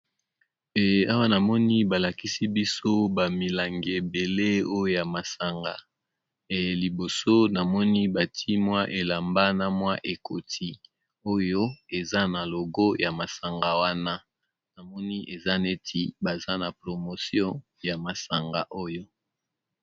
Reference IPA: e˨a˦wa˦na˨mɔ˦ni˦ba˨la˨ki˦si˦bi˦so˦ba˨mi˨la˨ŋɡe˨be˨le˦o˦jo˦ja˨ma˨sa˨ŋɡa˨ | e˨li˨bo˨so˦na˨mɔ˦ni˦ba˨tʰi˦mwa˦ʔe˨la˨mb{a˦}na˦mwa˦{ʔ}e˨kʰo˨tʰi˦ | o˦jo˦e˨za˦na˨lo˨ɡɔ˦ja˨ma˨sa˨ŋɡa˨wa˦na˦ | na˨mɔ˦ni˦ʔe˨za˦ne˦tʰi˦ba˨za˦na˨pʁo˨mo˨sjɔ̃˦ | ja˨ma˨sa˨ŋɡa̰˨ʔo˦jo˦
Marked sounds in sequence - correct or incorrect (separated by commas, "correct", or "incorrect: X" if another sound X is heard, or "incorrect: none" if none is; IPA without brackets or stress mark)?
correct, correct